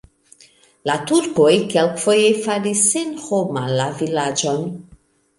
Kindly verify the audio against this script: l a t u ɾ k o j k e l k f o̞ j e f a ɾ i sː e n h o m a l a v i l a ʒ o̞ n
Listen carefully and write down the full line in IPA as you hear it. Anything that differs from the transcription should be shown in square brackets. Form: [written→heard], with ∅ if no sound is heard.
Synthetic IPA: l a t u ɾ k o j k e l k f o̞ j e f a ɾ i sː e n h o m a l a v i l a [ʒ→d͡ʒ] o̞ n